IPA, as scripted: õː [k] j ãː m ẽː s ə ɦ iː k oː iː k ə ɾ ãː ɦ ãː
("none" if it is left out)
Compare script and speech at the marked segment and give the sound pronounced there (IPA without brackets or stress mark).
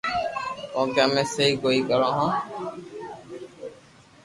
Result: k